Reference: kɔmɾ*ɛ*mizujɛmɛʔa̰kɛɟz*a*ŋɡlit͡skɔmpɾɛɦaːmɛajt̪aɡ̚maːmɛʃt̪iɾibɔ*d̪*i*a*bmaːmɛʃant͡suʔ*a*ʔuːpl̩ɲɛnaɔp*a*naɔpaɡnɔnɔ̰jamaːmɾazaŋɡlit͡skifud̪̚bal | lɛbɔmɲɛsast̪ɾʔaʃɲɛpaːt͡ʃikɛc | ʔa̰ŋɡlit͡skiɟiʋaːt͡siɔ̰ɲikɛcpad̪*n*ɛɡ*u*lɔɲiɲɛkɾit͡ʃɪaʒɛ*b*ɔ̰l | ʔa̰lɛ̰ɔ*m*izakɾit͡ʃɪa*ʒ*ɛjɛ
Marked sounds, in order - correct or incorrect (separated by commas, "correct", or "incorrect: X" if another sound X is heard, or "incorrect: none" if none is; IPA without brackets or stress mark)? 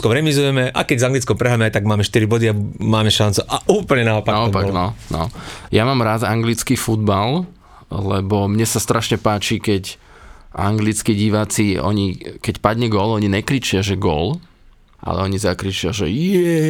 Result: correct, correct, correct, correct, correct, correct, incorrect: ɲ, incorrect: ɔ, incorrect: ɡ, incorrect: ɲ, correct